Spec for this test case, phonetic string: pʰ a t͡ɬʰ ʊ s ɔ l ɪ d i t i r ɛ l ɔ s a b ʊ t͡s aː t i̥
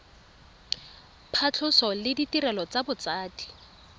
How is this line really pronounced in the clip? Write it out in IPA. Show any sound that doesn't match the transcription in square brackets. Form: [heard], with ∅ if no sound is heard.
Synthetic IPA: pʰ a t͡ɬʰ ʊ s ɔ l ɪ d i t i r ɛ l ɔ [t͡s] a b ʊ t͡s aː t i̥

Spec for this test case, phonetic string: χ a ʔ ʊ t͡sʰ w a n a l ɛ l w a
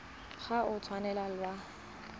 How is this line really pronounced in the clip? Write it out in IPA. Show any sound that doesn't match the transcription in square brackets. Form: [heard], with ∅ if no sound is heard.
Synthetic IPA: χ a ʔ ʊ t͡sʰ w a n [ɛ] l [a] l w a

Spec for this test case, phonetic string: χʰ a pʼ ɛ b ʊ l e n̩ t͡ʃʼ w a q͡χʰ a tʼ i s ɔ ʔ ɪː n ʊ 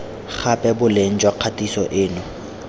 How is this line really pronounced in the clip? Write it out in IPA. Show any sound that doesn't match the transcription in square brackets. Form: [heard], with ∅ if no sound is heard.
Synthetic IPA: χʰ a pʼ ɛ b ʊ l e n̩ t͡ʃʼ w a q͡χʰ a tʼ i s ɔ ʔ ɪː n ʊ

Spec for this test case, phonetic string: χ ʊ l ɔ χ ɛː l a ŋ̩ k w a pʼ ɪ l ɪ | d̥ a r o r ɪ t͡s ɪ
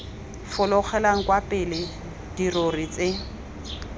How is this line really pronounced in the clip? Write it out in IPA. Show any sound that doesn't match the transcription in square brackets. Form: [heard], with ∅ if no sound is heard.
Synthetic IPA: [f] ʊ l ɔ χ [ɛ] l a ŋ̩ k w a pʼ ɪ l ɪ | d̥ [i] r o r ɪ t͡s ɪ

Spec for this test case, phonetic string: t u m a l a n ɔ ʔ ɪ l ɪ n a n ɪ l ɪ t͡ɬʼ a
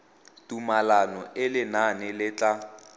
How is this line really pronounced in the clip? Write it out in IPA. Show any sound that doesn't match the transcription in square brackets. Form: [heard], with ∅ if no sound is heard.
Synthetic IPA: t u m a l a n ɔ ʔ ɪ l ɪ n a n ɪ l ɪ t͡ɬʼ a

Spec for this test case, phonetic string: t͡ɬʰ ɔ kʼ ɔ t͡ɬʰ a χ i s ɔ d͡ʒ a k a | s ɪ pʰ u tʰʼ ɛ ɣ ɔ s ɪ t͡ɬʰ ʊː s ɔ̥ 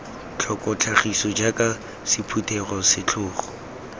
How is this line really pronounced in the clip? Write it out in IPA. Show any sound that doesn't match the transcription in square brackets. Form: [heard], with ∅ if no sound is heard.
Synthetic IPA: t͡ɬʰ ɔ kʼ ɔ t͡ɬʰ a χ i s ɔ d͡ʒ a k a | s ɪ pʰ u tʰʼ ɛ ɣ ɔ s ɪ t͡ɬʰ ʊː [χ] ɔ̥

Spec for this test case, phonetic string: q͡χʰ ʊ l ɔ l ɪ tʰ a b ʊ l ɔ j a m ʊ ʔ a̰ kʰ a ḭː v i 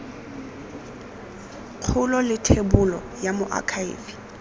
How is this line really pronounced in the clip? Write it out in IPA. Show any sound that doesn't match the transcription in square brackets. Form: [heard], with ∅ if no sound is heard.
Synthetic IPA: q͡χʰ ʊ l ɔ l ɪ tʰ [e] b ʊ l ɔ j a m ʊ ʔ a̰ kʰ a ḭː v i

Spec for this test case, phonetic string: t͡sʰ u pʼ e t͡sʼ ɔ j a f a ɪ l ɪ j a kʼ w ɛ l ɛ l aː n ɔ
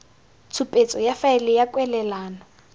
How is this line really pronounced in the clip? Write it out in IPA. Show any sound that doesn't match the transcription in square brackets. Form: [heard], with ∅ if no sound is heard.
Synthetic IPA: t͡sʰ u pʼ e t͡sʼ ɔ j a f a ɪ l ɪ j a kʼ w ɛ l ɛ l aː n ɔ

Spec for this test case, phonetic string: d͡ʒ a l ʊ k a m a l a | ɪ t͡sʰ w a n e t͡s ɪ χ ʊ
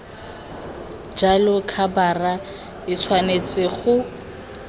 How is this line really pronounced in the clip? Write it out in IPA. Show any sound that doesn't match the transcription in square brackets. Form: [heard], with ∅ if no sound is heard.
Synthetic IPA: d͡ʒ a l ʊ [kʰ] a [b] a [r] a | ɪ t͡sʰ w a n e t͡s ɪ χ ʊ

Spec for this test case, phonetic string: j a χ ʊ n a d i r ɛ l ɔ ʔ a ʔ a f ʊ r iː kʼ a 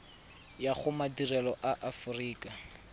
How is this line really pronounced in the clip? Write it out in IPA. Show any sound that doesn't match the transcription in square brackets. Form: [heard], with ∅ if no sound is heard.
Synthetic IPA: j a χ ʊ [m] a d i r ɛ l ɔ ʔ a ʔ a f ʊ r iː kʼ a

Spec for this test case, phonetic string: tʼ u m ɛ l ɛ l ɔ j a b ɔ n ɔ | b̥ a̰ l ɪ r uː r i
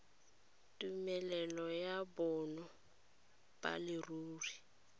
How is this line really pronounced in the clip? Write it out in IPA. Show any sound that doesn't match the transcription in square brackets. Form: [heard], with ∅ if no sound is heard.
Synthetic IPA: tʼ u m ɛ l ɛ l ɔ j a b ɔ n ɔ | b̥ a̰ l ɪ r uː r i

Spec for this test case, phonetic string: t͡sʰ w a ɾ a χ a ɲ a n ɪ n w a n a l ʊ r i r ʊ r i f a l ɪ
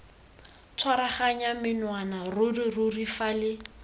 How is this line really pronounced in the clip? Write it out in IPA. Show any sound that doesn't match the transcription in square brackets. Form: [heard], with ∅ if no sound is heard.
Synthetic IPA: t͡sʰ w a ɾ a χ a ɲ a [m] ɪ n w a n a [r] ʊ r i r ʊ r i f a l ɪ

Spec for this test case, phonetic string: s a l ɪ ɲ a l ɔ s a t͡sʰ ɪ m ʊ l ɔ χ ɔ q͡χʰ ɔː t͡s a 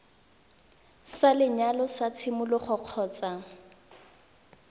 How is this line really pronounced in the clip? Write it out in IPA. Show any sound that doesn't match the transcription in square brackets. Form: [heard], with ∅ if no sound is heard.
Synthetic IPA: s a l ɪ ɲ a l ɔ s a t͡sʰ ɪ m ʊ l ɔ χ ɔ q͡χʰ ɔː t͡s a

